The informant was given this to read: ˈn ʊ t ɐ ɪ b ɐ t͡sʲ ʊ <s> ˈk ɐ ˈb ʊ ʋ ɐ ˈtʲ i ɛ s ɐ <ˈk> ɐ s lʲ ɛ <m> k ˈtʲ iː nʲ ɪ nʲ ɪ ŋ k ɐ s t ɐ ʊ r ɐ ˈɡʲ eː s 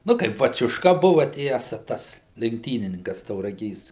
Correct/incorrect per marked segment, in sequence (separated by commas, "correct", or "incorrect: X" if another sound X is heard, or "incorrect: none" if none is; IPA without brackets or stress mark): incorrect: ʃ, incorrect: t, incorrect: ŋ